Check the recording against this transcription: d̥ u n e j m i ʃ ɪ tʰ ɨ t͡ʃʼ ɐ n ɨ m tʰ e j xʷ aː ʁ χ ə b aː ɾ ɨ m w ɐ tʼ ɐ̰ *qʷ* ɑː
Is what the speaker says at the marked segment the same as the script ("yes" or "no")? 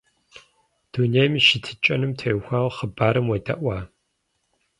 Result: no